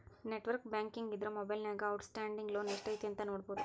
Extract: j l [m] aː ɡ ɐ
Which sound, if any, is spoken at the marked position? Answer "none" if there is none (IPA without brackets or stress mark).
n